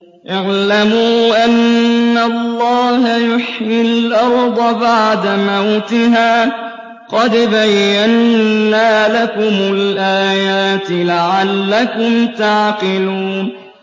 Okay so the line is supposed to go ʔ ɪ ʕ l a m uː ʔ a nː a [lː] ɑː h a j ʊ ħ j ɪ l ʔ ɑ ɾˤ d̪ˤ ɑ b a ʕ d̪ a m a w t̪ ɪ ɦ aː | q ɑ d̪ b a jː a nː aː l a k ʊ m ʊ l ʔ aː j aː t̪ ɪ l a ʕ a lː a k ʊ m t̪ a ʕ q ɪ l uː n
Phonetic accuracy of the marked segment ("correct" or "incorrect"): correct